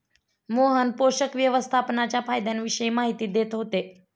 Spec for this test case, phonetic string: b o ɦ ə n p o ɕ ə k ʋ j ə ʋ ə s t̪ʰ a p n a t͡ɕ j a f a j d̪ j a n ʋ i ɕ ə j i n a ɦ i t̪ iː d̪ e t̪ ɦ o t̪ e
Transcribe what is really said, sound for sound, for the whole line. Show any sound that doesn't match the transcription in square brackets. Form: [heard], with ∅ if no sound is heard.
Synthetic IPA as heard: [m] o ɦ ə n p o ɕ ə k ʋ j ə ʋ ə s t̪ʰ a p n a t͡ɕ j a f a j d̪ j a n ʋ i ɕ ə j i [m] a ɦ i t̪ iː d̪ e t̪ ɦ o t̪ e

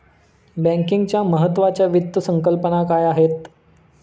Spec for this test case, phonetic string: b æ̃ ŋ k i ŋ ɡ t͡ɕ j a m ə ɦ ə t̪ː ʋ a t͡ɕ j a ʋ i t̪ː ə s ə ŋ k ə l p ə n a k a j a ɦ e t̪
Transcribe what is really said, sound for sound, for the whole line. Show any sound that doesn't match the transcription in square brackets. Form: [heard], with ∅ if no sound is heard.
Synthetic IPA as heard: b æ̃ ŋ k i ŋ ɡ t͡ɕ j a m ə ɦ ə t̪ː ʋ a t͡ɕ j a ʋ i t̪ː ə s ə ŋ k ə l p ə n a k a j a ɦ e t̪

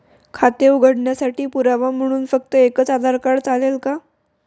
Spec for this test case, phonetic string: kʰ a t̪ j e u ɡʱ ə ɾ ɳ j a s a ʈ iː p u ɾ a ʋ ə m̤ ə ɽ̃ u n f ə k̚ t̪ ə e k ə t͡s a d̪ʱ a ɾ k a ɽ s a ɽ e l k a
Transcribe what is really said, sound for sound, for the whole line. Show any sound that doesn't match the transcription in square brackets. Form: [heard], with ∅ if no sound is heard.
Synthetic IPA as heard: kʰ a t̪ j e u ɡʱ ə [ɽ] ɳ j a s a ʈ iː p u ɾ a ʋ [a] m̤ ə ɽ̃ [uː] n f ə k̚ t̪ ə e k ə t͡s a d̪ʱ a ɾ k a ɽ [t͡s] a [l] e l k a

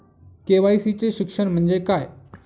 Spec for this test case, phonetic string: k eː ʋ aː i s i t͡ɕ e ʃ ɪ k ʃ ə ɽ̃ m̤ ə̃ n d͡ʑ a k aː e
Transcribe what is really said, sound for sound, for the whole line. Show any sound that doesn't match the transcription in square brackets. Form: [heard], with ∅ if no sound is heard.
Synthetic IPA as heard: k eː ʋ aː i s i t͡ɕ e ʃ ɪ k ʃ ə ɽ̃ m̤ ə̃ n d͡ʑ [e] k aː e

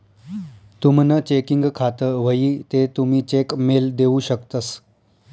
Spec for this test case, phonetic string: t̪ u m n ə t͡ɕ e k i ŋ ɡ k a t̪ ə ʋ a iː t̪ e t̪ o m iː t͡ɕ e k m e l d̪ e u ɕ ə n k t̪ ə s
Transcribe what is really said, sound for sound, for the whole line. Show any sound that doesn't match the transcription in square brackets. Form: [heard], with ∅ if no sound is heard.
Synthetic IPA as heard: t̪ u m n ə t͡ɕ e k i ŋ ɡ [kʰ] a t̪ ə ʋ [ə] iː t̪ e t̪ [u] m iː t͡ɕ e k m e l d̪ e u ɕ ə [∅] k t̪ ə s

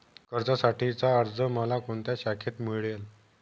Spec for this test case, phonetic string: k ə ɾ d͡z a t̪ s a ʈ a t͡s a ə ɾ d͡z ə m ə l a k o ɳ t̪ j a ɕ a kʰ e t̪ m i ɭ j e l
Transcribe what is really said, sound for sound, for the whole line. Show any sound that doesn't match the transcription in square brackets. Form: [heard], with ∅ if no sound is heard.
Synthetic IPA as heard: k ə ɾ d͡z a [∅] s a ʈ [i] t͡s a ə ɾ d͡z ə m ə l a k o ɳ t̪ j a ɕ a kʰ e t̪ m i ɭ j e l

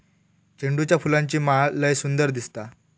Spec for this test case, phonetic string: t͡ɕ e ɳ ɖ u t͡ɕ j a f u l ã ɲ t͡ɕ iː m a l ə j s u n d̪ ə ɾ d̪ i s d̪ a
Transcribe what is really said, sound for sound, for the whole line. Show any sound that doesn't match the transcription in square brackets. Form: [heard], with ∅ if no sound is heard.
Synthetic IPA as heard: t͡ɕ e ɳ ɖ u t͡ɕ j a f u l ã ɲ t͡ɕ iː m a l ə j s u n d̪ ə ɾ d̪ i s [t̪] a

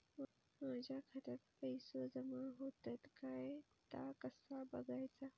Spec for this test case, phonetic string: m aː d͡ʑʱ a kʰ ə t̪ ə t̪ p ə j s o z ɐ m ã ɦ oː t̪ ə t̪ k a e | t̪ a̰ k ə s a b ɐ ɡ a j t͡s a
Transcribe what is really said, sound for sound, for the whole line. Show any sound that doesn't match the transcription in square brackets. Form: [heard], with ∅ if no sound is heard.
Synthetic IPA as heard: m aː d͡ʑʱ a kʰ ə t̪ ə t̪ p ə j s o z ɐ m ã ɦ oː t̪ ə t̪ k a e | t̪ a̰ k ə s a b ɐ ɡ a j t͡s a

